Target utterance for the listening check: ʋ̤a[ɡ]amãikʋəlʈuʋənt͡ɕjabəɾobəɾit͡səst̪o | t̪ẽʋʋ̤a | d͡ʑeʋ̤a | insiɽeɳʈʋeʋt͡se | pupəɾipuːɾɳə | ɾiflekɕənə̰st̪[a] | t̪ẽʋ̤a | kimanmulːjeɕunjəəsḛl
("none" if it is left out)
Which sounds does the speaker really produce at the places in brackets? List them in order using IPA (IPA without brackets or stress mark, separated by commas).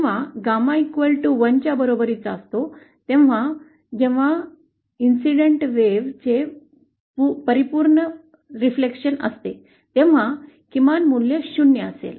ɡ, e